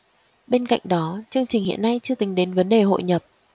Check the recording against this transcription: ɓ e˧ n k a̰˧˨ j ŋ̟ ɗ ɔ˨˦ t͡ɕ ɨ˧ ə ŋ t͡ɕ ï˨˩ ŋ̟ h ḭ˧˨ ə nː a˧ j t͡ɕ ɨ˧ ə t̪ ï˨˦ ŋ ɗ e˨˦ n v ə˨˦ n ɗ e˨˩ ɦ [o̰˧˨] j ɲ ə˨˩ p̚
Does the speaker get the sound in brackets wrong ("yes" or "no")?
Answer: no